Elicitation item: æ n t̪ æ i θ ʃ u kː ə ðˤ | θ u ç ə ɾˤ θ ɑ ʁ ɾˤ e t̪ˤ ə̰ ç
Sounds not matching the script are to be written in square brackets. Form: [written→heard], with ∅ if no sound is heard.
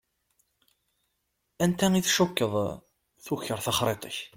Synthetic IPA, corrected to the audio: æ n t̪ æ i θ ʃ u kː ə ðˤ | θ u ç ə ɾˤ θ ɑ [ʁ→χ] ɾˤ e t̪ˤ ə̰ ç